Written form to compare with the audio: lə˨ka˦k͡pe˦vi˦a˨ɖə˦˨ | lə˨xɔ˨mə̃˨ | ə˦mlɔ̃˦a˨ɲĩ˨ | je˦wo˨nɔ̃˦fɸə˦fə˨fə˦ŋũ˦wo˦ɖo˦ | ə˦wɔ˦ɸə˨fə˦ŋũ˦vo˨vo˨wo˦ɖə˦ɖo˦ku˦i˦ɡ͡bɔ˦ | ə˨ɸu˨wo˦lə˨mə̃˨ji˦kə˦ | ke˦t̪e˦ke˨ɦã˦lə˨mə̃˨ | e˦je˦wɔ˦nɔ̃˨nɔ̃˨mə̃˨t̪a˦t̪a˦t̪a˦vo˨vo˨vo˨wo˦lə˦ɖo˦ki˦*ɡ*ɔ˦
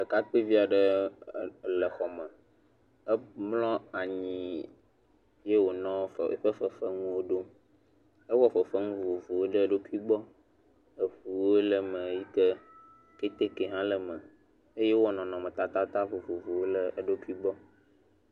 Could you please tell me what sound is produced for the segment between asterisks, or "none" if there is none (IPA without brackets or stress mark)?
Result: ɡ͡b